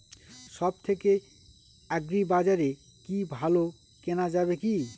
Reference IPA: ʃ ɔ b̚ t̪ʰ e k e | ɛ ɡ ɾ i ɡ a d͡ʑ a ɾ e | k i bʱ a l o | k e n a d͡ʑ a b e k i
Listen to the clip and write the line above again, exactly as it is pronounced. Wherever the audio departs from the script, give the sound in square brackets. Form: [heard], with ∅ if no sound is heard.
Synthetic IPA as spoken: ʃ ɔ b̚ t̪ʰ e k e | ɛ ɡ ɾ i [b] a d͡ʑ a ɾ e | k i bʱ a l o | k e n a d͡ʑ a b e k i